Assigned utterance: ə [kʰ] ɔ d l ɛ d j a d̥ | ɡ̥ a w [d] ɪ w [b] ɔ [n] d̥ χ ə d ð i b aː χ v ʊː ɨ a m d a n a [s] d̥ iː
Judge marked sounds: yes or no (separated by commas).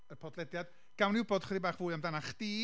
no, no, yes, no, no